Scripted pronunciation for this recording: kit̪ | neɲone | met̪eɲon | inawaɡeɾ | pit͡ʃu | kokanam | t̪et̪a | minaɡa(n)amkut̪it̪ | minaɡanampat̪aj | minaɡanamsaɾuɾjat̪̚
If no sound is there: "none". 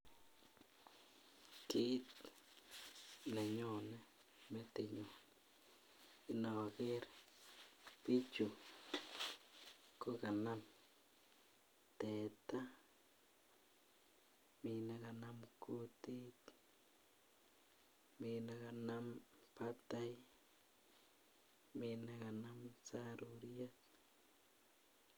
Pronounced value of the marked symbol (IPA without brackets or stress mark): n